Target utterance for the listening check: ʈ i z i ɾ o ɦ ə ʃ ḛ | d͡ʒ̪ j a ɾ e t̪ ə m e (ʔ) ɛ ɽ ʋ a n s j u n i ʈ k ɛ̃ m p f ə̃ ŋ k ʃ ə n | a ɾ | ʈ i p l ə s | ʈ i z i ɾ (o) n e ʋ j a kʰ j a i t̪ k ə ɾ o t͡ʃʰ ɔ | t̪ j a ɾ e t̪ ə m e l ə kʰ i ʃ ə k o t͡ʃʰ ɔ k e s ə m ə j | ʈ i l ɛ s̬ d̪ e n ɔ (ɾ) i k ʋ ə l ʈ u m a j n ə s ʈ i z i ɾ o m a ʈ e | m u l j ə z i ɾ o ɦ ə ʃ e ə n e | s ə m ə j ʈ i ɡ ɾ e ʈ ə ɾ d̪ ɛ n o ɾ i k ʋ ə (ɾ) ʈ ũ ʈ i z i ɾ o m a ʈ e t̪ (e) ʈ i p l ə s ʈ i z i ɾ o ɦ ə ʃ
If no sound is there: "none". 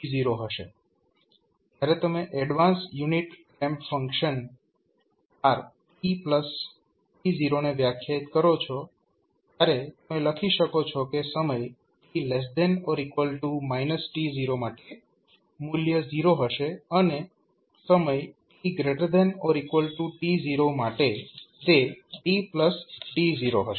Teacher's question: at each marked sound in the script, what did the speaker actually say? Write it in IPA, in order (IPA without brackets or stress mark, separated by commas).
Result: ʔ, o, ɾ, l, e